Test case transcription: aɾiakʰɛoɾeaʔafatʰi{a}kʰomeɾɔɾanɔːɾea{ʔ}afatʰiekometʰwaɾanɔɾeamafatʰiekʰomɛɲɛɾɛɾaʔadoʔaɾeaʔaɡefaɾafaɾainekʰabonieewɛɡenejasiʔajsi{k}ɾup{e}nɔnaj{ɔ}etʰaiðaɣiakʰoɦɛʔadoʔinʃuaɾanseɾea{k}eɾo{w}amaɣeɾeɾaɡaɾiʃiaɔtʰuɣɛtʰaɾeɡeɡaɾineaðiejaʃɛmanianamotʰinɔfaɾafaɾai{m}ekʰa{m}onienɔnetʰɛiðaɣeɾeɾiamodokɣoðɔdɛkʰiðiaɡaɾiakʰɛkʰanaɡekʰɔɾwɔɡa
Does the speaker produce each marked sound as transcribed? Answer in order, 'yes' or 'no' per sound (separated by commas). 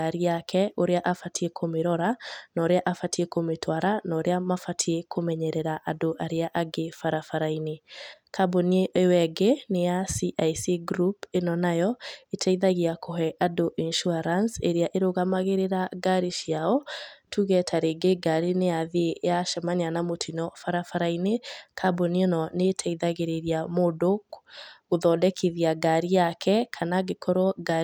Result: no, yes, no, yes, yes, no, no, no, no